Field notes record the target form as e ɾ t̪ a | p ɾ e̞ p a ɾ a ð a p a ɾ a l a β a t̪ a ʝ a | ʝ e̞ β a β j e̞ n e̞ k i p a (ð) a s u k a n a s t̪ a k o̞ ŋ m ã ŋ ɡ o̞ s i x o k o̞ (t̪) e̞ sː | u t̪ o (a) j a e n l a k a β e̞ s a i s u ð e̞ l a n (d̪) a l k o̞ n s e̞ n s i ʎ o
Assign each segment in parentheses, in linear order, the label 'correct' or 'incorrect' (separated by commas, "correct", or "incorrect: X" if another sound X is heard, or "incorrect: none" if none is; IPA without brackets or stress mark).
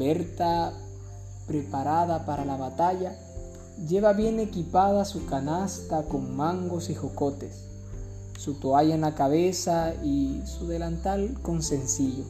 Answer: correct, correct, correct, incorrect: t̪